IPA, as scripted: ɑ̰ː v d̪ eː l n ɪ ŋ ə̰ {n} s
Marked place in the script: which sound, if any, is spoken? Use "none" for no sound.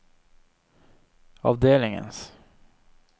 n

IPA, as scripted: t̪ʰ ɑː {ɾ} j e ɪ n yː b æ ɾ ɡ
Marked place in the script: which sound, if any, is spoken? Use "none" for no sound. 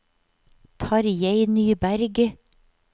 ɾ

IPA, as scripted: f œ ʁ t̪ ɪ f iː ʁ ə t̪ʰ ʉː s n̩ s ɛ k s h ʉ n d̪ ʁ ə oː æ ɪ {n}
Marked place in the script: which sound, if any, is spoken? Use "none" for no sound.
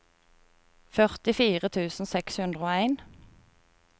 n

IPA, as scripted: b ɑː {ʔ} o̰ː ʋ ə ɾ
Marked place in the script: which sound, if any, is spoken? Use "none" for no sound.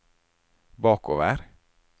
k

